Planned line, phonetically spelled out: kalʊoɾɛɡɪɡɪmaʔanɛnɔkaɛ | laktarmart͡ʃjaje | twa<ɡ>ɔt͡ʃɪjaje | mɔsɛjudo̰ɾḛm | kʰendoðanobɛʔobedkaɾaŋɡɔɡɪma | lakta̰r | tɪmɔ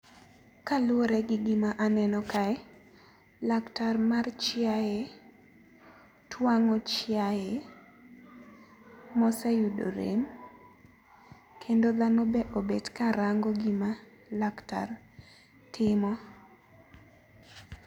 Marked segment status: incorrect: ŋ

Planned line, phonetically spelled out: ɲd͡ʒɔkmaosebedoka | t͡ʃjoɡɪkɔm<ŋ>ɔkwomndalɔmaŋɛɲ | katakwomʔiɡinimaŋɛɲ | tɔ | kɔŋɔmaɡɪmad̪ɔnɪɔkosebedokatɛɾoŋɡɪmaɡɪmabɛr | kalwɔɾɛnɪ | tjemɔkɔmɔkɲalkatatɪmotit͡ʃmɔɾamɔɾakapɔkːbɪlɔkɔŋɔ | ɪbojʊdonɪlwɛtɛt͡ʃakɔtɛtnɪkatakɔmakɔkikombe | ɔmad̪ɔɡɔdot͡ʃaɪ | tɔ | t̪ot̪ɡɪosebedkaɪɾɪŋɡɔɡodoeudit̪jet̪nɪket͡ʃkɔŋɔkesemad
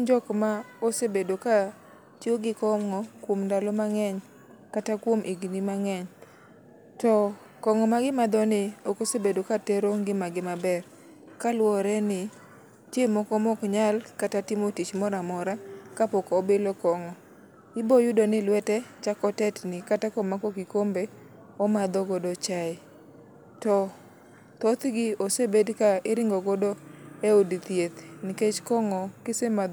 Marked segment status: correct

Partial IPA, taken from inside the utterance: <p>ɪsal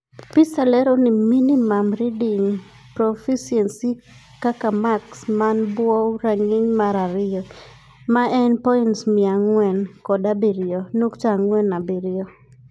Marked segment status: correct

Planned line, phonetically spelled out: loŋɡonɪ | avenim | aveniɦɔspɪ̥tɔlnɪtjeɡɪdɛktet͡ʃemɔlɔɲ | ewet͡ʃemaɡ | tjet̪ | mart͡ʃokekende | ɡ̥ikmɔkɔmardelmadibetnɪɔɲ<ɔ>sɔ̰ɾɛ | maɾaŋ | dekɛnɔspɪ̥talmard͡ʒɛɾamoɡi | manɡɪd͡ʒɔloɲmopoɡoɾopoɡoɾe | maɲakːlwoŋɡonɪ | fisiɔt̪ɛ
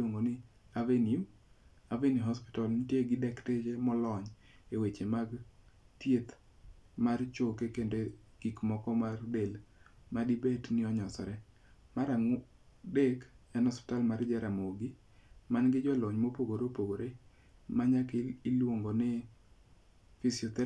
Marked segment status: correct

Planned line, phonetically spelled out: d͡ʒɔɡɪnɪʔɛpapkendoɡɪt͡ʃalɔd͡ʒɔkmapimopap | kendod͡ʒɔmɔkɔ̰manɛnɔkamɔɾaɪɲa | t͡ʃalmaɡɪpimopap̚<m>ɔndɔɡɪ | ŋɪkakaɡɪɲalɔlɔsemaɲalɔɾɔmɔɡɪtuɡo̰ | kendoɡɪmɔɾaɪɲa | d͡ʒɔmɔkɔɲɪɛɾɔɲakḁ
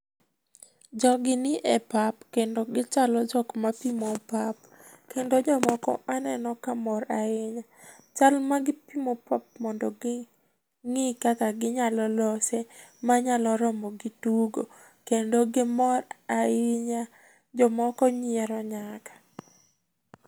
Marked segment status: correct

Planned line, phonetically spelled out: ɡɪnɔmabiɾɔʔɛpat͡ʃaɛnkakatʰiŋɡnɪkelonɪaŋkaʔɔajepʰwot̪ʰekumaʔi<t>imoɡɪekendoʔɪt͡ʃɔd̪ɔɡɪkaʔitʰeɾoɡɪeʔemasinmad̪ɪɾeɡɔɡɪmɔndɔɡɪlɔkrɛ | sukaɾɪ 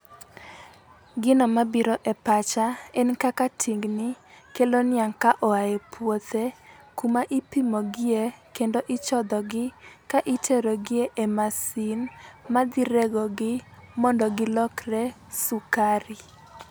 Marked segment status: incorrect: p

